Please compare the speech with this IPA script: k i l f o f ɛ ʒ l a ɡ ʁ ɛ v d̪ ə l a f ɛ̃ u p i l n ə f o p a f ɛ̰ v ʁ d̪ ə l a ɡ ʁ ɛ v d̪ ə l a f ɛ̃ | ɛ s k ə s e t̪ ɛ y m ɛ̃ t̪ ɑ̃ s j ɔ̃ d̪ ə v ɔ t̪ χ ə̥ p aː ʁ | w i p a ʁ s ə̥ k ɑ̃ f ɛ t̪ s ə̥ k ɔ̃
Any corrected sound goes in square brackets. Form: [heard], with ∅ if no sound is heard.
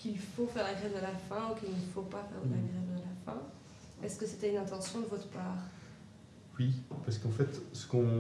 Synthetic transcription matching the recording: k i l f o f ɛ [ʁ] l a ɡ ʁ ɛ v d̪ ə l a f ɛ̃ u [k] i l n ə f o p a f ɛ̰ [∅] ʁ d̪ ə l a ɡ ʁ ɛ v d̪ ə l a f ɛ̃ | ɛ s k ə s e t̪ ɛ y [n] ɛ̃ t̪ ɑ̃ s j ɔ̃ d̪ ə v ɔ t̪ χ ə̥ p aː ʁ | w i p a ʁ s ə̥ k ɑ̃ f ɛ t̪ s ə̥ k ɔ̃

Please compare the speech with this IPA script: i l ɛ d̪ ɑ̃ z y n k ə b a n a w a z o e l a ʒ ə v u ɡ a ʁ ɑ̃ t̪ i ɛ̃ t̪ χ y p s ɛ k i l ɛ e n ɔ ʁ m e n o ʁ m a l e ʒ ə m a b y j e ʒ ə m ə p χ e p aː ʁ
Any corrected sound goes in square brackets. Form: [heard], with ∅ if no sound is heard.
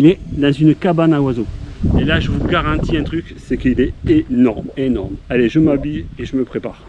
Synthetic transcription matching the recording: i l ɛ d̪ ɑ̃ z y n k [a] b a n a w a z o e l a ʒ ə v u ɡ a ʁ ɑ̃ t̪ i ɛ̃ t̪ χ y [k] s ɛ k i l ɛ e n ɔ ʁ m e n [ɔ] ʁ m a l e ʒ ə m a b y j e ʒ ə m ə p χ e p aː ʁ

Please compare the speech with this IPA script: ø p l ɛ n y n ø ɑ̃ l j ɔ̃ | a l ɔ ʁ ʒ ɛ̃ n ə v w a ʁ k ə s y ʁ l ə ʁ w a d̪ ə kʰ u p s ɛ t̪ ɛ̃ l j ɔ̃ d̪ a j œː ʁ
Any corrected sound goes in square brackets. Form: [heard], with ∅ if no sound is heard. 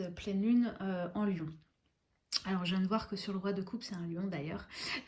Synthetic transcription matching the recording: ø p l ɛ n y n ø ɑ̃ l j ɔ̃ | a l ɔ ʁ ʒ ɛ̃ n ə v w a ʁ k ə s y ʁ l ə ʁ w a d̪ ə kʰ u p s ɛ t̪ ɛ̃ l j ɔ̃ d̪ a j œː ʁ

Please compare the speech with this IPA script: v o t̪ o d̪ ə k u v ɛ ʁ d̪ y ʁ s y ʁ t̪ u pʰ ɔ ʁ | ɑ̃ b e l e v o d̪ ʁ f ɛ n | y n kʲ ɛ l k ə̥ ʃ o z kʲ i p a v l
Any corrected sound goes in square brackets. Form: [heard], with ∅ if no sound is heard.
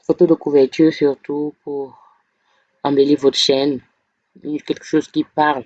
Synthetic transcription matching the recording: [f] o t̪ o d̪ ə k u v ɛ ʁ [t̪] y ʁ s y ʁ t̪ u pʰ [u] ʁ | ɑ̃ b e l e v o [t̪] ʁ [ʃ] ɛ n | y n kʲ ɛ l k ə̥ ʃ o z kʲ i p a [ʁ] l

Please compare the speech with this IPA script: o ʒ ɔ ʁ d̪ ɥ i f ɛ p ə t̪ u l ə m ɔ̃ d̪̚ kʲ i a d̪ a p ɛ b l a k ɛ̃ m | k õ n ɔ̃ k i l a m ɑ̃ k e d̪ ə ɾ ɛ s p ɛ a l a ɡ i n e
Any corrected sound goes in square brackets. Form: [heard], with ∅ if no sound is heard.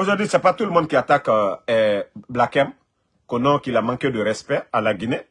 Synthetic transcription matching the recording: o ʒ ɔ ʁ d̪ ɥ i [s] ɛ p [a] t̪ u l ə m ɔ̃ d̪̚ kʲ i a [t̪] a [k] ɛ b l a k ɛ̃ m | k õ n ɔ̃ k i l a m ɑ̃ k e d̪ ə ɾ ɛ s p ɛ a l a ɡ i n e

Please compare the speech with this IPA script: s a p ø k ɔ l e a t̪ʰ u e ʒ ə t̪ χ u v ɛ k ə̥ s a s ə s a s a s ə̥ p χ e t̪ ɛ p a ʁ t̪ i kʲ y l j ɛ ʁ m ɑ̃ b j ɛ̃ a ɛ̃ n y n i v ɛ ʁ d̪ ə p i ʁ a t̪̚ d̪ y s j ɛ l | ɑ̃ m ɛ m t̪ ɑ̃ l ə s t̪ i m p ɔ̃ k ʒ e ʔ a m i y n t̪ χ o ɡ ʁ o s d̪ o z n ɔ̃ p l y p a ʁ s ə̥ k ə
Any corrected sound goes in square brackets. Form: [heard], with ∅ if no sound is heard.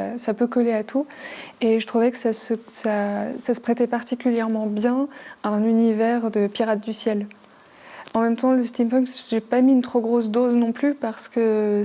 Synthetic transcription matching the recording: s a p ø k ɔ l e a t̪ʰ u e ʒ ə t̪ χ u v ɛ k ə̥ s a s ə s a s a s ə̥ p χ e t̪ ɛ p a ʁ t̪ i kʲ y l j ɛ ʁ m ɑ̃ b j ɛ̃ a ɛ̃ n y n i v ɛ ʁ d̪ ə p i ʁ a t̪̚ d̪ y s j ɛ l | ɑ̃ m ɛ m t̪ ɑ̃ l ə s t̪ i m p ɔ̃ k ʒ e [p] a m i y n t̪ χ o ɡ ʁ o s d̪ o z n ɔ̃ p l y p a ʁ s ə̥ k ə

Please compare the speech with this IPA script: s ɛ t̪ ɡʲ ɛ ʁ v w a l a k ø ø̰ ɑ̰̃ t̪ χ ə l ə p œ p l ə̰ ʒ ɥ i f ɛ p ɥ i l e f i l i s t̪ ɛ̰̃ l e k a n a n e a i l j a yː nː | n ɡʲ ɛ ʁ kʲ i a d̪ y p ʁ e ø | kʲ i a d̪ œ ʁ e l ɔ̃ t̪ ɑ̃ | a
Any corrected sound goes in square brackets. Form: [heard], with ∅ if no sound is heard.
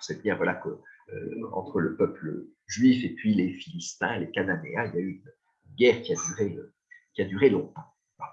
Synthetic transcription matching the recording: s ɛ t̪ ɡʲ ɛ ʁ v w a l a k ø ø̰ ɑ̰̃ t̪ χ ə l ə p œ p l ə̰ ʒ ɥ i f [e] p ɥ i l e f i l i s t̪ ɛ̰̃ l e k a n a n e a i l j a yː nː | n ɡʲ ɛ ʁ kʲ i a d̪ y [∅] ʁ e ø | kʲ i a d̪ [y] ʁ e l ɔ̃ t̪ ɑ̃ | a

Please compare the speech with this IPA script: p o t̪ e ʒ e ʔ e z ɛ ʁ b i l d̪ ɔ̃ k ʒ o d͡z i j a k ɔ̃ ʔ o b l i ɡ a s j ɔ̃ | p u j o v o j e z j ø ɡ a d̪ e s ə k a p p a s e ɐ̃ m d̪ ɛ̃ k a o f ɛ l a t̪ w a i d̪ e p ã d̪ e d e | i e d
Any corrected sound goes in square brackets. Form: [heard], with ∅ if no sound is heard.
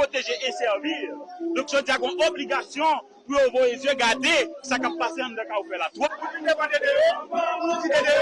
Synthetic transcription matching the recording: p o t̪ e ʒ e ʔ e [s] ɛ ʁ [v] i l d̪ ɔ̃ k ʒ o d͡z i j a [ɡ] ɔ̃ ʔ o b l i ɡ a s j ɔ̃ | p u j o v o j e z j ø ɡ a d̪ e s [a] k a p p a s e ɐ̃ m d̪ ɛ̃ k a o f ɛ l a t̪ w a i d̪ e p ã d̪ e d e | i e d

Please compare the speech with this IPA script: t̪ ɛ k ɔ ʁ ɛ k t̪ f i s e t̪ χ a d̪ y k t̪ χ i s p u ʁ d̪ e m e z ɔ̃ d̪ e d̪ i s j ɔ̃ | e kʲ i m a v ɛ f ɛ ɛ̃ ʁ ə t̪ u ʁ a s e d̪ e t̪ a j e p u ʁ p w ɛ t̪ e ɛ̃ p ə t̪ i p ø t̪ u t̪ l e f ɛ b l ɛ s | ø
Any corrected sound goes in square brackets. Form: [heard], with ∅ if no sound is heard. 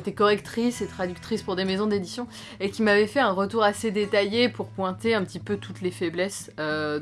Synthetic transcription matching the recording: t̪ ɛ k ɔ ʁ ɛ k t̪ [χ] i s e t̪ χ a d̪ y k t̪ χ i s p u ʁ d̪ e m e z ɔ̃ d̪ e d̪ i s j ɔ̃ | e kʲ i m a v ɛ f ɛ ɛ̃ ʁ ə t̪ u ʁ a s e d̪ e t̪ a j e p u ʁ p w [ɛ̃] t̪ e ɛ̃ p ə t̪ i p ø t̪ u t̪ l e f ɛ b l ɛ s | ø

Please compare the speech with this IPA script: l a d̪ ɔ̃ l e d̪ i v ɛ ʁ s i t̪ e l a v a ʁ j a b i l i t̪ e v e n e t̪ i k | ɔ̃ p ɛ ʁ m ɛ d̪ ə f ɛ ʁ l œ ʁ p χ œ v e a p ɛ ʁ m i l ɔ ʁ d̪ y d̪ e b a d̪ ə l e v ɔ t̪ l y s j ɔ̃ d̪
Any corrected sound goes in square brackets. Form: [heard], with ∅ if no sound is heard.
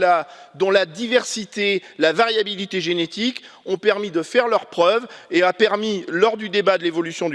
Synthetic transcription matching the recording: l a d̪ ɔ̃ l [a] d̪ i v ɛ ʁ s i t̪ e l a v a ʁ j a b i l i t̪ e [ʒ] e n e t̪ i k | ɔ̃ p ɛ ʁ m [i] d̪ ə f ɛ ʁ l œ ʁ p χ œ v e a p ɛ ʁ m i l ɔ ʁ d̪ y d̪ e b a d̪ ə l e v ɔ [∅] l y s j ɔ̃ d̪

